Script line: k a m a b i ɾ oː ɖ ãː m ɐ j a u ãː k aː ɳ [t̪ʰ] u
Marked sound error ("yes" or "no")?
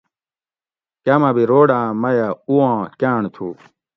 no